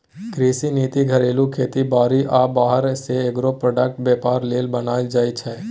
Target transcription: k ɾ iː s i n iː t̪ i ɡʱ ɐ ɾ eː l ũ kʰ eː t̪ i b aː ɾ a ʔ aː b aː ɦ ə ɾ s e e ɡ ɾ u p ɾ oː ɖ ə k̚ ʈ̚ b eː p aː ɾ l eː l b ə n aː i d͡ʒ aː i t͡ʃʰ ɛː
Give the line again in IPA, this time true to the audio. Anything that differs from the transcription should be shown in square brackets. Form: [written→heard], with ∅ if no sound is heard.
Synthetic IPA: k ɾ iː s i n iː t̪ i ɡʱ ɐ ɾ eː l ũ kʰ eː t̪ i b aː ɾ [a→i] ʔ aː b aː ɦ ə ɾ s e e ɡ ɾ [u→o] p ɾ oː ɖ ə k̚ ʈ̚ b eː p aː ɾ l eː l b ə n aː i d͡ʒ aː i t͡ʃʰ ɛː